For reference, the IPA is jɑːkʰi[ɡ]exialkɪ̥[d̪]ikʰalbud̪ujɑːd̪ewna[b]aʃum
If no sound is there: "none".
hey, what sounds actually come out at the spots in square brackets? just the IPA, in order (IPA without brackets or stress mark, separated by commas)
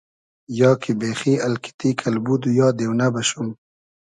b, t̪, b